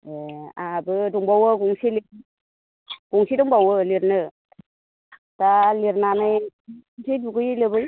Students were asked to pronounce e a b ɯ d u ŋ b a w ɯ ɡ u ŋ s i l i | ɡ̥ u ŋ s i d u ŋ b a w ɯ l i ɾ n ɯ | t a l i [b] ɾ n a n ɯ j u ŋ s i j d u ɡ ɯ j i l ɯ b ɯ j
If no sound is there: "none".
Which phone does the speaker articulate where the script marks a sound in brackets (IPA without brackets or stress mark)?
none